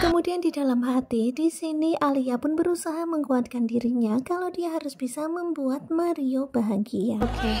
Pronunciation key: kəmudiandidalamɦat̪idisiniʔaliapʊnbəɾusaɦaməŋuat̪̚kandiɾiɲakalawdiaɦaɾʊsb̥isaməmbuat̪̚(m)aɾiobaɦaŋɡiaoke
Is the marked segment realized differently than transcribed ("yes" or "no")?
no